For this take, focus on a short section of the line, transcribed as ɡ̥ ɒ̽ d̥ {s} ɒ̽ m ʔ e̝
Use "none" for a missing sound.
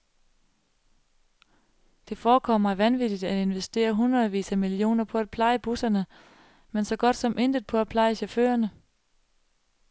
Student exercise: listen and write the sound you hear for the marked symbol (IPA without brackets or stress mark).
s